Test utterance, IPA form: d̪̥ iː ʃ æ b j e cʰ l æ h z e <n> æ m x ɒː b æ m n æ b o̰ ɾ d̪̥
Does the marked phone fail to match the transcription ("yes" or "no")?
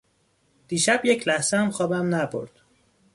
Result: yes